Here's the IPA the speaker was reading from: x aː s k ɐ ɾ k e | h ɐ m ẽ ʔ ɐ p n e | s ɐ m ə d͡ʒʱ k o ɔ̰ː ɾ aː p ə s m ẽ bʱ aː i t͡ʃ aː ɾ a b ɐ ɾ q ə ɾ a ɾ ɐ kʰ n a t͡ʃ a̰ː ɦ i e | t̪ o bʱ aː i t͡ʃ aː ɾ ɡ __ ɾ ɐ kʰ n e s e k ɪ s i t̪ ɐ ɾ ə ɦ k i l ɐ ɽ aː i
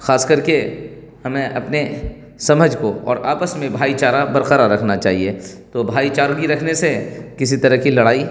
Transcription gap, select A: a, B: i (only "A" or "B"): B